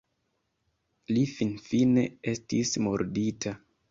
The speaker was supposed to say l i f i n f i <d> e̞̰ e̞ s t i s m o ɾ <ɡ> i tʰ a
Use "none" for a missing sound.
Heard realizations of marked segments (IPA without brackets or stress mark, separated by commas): n, d